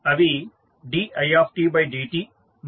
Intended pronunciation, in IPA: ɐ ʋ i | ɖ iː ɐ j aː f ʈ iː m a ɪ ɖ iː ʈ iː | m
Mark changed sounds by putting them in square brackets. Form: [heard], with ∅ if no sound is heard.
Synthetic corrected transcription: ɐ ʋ i | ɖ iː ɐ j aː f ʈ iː [b] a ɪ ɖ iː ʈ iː | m